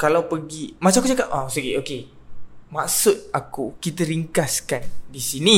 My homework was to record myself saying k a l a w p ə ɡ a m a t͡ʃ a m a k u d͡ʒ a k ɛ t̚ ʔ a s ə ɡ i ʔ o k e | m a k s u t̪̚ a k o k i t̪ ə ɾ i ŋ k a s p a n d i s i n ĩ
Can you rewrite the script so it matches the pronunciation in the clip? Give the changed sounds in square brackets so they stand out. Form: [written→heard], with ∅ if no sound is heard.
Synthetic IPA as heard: k a l a w p ə ɡ [a→i] m a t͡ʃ a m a k u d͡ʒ a k [ɛ→a] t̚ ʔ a s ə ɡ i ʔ o k e | m a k s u t̪̚ a k [o→u] k i t̪ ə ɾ i ŋ k a s [p→k] a n d i s i n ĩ